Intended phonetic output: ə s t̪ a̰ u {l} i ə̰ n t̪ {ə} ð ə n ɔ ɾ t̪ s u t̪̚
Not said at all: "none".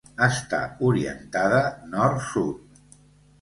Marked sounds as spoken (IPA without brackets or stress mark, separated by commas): ɾ, a